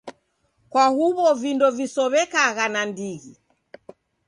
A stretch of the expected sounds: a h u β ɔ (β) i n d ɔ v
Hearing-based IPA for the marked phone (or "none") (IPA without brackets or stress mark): v